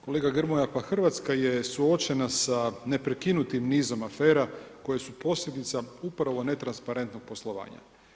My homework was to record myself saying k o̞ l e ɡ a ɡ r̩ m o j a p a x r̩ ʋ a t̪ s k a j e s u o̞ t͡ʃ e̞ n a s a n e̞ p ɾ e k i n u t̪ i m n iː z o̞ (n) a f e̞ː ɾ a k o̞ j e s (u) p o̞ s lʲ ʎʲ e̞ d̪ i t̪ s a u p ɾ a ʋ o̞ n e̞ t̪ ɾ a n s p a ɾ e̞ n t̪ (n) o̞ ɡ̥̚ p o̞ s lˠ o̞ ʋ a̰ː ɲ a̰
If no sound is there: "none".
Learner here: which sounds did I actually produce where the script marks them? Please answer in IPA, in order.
m, u, n

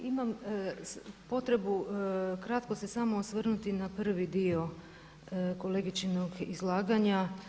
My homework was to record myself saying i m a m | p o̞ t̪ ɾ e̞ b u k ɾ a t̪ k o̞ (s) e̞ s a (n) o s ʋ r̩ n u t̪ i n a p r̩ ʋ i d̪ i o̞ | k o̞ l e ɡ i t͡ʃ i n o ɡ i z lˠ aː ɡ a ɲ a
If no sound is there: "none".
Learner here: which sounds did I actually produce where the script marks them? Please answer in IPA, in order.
s, m

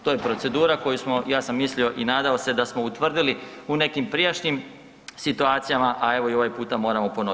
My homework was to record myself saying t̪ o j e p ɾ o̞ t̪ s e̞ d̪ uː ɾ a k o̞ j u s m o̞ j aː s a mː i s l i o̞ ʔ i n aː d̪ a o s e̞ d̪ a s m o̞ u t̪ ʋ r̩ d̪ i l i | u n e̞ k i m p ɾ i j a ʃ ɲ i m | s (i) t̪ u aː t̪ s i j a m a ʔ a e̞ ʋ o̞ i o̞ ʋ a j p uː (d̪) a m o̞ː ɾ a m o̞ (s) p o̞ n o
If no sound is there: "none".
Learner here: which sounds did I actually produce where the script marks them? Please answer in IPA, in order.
i, t̪, none

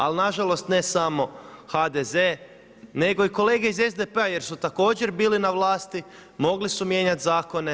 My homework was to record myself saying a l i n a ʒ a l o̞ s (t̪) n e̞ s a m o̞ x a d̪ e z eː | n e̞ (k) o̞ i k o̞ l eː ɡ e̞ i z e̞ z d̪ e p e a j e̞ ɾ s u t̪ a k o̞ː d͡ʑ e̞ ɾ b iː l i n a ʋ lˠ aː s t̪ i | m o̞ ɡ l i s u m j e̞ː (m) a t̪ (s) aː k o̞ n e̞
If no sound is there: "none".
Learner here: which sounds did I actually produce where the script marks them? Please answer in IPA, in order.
t̪, ɡ, ɲ, z

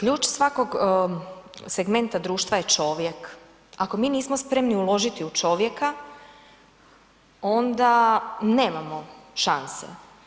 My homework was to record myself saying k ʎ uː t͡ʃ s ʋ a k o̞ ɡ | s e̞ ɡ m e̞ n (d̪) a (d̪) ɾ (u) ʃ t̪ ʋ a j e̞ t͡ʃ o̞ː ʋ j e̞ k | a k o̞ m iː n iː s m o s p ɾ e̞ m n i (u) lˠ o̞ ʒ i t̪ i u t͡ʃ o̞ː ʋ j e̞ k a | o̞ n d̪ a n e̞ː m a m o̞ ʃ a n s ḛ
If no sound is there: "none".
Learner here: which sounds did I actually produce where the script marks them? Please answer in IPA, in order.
t̪, d̪, uː, u

